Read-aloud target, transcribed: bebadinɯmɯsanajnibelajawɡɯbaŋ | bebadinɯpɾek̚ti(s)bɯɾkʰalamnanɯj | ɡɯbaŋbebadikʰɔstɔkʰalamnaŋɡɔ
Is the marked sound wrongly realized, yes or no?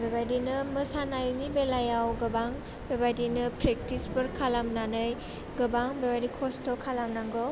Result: no